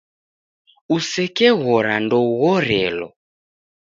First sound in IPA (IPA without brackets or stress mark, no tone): u